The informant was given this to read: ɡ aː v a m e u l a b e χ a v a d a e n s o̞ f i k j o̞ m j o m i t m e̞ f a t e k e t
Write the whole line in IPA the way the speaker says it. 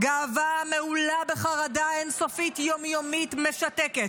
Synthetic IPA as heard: ɡ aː v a m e u l a b e χ a ʁ a d a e n s o̞ f i t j o̞ m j o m i t m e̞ ʃ a t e k e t